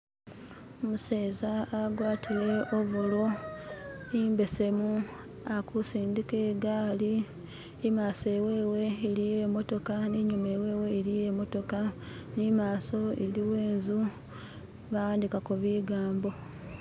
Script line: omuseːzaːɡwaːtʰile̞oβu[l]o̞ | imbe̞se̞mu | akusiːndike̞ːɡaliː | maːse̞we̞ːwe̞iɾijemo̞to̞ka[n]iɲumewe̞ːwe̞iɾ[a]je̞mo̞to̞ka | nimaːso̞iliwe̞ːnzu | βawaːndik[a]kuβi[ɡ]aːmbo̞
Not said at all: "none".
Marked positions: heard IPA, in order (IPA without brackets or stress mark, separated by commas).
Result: l, n, i, a, ɡ